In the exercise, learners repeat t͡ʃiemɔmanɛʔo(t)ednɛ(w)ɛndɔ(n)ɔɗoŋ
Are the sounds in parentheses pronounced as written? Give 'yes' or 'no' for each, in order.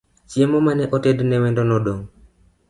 yes, yes, yes

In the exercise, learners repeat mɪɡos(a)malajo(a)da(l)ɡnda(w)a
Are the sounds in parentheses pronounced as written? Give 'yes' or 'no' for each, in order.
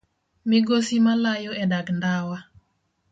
no, no, no, yes

